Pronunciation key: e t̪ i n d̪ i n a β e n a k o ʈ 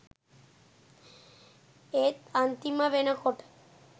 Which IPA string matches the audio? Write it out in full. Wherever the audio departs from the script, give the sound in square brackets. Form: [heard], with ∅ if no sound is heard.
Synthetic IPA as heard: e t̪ [a] n [t̪] i [m] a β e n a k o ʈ